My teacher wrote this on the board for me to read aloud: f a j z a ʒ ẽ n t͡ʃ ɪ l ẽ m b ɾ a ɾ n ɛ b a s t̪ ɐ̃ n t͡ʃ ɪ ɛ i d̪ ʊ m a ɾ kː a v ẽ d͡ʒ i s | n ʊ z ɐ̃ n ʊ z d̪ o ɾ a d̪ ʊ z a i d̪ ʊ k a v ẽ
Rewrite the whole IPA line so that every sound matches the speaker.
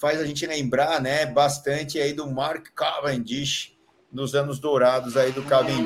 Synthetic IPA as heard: f a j z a ʒ ẽ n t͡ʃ ɪ l ẽ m b ɾ a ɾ n ɛ b a s t̪ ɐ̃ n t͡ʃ ɪ a i d̪ ʊ m a ɾ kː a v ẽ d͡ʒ i ʃ | n ʊ z ɐ̃ n ʊ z d̪ o ɾ a d̪ ʊ z a i d̪ ʊ k a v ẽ